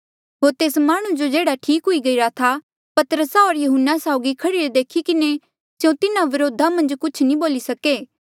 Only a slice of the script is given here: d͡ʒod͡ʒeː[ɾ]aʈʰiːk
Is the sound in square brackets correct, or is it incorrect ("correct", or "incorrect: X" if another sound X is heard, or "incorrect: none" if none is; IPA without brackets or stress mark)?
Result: incorrect: ɽ